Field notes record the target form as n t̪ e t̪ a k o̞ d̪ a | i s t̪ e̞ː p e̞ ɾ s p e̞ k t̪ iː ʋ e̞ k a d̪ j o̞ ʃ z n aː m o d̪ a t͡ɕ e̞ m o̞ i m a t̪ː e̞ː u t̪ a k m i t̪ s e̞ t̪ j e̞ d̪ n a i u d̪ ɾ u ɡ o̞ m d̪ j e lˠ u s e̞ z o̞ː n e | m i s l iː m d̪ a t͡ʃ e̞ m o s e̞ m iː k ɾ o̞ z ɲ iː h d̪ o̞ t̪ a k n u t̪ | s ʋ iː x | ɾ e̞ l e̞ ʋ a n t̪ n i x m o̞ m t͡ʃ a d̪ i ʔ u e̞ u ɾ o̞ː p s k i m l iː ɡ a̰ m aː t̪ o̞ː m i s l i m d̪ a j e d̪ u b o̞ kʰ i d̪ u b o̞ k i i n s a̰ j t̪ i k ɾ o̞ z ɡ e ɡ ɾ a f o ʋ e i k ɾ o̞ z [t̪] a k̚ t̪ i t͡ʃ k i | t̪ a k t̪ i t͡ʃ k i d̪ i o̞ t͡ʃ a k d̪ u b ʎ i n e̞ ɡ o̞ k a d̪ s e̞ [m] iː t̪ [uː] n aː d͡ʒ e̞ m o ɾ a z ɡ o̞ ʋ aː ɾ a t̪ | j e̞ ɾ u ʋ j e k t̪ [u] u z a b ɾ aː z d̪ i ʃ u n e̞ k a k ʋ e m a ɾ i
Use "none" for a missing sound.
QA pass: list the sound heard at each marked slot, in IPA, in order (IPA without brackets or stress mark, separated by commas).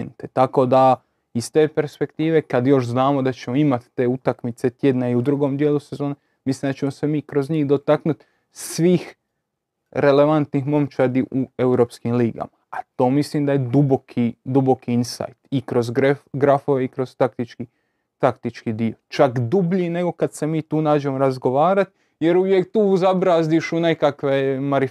t̪, m, uː, uː